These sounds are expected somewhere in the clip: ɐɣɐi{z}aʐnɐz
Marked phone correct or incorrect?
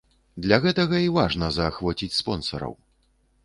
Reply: incorrect